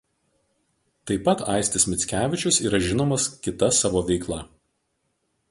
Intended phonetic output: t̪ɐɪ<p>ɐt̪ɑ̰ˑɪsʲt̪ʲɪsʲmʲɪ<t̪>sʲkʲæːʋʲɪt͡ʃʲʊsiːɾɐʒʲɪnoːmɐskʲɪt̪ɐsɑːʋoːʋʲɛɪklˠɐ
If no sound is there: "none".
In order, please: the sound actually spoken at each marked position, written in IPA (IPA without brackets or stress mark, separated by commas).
p, t̪